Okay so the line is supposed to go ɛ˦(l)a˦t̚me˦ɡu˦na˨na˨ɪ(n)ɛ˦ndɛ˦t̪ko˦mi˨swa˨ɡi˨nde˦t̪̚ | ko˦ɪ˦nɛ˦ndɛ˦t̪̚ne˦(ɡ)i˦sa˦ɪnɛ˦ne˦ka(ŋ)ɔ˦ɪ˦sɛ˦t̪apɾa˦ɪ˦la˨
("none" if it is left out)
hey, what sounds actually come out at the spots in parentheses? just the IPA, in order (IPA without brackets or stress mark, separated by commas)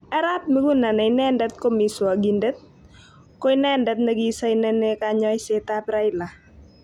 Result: ɾ, n, ɡ, ɲ